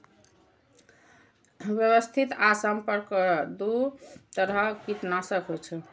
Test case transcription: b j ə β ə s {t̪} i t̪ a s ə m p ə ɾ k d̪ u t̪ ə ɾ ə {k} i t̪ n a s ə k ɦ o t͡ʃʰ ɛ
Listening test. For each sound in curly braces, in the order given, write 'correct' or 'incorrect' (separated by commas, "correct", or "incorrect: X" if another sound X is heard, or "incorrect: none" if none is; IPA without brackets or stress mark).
incorrect: t̪ʰ, correct